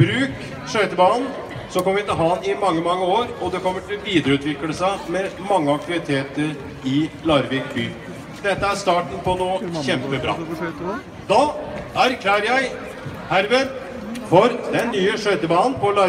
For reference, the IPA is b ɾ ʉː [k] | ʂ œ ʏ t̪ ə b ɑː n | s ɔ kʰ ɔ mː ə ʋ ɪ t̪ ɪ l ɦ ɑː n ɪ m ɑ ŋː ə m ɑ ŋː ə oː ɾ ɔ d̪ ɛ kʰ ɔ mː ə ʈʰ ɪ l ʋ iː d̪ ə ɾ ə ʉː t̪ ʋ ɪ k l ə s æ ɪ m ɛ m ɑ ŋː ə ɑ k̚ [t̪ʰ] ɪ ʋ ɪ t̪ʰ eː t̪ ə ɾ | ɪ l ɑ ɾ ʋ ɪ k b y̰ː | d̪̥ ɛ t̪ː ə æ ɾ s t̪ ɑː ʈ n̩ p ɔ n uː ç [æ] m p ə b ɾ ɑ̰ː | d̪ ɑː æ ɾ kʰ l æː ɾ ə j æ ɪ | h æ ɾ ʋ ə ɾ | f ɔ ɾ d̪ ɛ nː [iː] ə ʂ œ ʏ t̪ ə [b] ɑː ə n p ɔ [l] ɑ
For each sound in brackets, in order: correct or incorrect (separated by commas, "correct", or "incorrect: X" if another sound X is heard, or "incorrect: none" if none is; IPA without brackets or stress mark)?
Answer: correct, incorrect: t̪, incorrect: ɛ, incorrect: yː, correct, correct